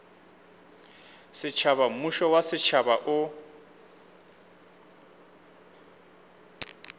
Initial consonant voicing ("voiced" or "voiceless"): voiceless